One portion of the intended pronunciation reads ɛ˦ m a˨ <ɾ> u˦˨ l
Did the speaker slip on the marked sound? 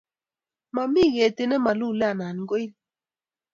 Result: yes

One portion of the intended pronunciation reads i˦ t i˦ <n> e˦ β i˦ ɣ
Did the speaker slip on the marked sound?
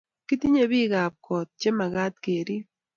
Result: yes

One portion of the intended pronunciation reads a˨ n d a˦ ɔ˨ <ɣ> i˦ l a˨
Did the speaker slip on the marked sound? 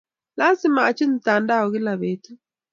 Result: no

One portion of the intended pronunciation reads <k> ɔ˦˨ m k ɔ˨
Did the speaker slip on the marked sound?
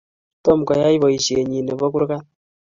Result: yes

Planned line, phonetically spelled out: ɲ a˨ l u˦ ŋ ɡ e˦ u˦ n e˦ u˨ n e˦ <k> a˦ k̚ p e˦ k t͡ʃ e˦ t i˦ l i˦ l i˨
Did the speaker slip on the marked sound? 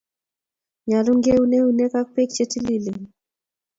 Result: no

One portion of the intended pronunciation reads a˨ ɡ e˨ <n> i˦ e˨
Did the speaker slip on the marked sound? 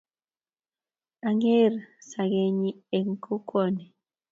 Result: yes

